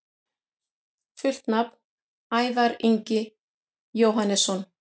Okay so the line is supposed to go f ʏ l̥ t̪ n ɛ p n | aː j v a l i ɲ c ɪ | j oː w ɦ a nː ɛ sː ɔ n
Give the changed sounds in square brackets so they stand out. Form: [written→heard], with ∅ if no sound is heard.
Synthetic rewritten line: f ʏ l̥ t̪ n [ɛ→a] p n | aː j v a [l→ɾ] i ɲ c ɪ | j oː w ɦ a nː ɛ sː ɔ n